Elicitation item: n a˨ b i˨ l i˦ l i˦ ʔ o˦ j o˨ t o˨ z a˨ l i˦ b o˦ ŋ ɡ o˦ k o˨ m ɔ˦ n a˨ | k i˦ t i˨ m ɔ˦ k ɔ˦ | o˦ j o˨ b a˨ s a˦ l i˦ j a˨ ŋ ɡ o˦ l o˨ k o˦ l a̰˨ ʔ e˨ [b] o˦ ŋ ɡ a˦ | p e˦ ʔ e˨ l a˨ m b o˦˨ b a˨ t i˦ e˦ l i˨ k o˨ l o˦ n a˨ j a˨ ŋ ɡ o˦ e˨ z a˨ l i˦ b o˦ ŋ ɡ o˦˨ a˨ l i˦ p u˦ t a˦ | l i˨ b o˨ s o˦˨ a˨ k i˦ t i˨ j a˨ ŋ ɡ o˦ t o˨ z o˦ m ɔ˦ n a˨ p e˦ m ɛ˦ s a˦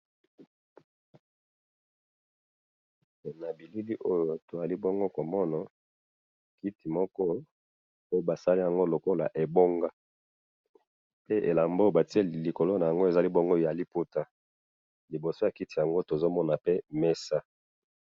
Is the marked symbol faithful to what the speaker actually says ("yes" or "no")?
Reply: yes